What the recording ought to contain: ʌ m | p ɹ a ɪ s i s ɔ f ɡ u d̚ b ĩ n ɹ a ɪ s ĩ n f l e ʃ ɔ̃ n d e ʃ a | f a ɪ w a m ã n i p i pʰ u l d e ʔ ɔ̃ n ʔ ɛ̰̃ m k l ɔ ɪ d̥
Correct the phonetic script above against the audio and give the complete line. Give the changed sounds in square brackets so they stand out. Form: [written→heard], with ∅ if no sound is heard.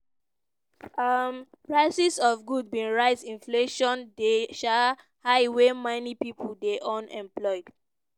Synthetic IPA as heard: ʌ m | p ɹ a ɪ s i s ɔ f ɡ u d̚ b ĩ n ɹ a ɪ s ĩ n f l e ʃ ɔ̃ n d e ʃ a | [f→h] a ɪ w [a→e] m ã n i p i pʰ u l d e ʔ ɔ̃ n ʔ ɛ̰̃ m [k→p] l ɔ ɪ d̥